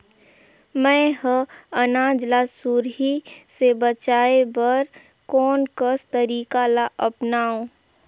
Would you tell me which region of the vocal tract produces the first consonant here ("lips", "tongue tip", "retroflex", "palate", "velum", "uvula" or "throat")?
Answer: lips